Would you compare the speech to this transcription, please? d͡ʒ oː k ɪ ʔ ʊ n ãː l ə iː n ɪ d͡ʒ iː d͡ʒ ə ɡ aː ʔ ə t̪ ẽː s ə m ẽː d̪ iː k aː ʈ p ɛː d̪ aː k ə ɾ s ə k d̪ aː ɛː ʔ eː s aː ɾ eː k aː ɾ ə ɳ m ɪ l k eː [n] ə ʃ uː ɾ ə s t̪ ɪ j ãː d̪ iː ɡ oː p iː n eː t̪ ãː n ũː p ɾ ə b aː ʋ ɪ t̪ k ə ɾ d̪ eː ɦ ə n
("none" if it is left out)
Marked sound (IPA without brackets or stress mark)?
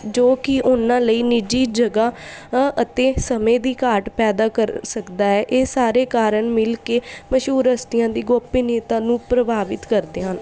m